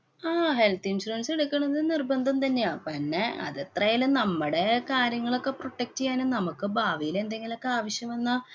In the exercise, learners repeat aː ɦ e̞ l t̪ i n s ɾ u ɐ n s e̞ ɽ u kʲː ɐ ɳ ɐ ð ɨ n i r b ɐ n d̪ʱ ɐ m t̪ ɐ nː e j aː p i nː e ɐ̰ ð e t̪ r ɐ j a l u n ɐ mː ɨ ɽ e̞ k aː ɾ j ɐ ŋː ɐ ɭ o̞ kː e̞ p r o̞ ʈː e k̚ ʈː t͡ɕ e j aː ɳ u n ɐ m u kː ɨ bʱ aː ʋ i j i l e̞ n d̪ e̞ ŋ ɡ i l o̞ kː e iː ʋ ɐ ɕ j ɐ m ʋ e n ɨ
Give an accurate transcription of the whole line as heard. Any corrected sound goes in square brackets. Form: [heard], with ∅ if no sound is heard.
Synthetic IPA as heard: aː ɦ e̞ l t̪ i n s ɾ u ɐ n s e̞ ɽ u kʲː ɐ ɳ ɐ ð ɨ n i r b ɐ n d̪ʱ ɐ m t̪ ɐ nː e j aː p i nː e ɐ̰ ð e t̪ r ɐ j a l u n ɐ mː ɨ ɽ e̞ k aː ɾ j ɐ ŋː ɐ ɭ o̞ kː e̞ p r o̞ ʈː e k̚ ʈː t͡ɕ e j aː [n] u n ɐ m u kː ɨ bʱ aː ʋ i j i l e̞ n d̪ e̞ ŋ ɡ i l o̞ kː e [aː] ʋ ɐ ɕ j ɐ m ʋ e [nː] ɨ